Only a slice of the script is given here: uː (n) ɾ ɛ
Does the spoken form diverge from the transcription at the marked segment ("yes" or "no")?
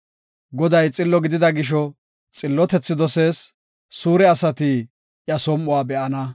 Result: yes